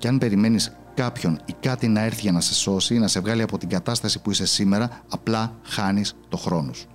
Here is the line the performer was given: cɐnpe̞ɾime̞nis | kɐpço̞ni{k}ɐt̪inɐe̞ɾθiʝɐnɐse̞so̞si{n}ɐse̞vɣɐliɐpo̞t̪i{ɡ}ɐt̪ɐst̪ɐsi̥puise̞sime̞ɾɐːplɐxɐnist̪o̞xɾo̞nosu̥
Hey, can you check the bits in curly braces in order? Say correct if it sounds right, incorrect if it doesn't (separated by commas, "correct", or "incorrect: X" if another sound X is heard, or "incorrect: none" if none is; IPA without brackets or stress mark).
correct, correct, correct